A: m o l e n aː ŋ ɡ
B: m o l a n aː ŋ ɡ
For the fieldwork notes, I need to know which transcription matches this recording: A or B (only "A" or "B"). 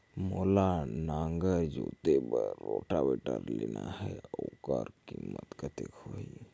B